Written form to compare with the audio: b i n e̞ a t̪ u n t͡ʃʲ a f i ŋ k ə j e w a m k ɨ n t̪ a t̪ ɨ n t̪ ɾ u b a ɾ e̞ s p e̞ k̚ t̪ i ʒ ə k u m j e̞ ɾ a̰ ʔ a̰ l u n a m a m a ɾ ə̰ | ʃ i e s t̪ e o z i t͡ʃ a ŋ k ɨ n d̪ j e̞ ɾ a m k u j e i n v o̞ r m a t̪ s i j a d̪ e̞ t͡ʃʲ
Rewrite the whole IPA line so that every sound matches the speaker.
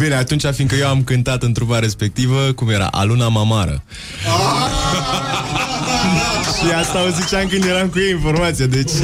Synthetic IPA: b i n e̞ a t̪ u n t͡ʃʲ a f i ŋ k ə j e w a m k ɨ n t̪ a t̪ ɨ n t̪ ɾ u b a ɾ e̞ s p e̞ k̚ t̪ i v ə k u m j e̞ ɾ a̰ ʔ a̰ l u n a m a m a ɾ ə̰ | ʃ i a s t̪ a o z i t͡ʃ a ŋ k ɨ n d̪ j e̞ ɾ a m k u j e i n f o̞ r m a t̪ s i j a d̪ e̞ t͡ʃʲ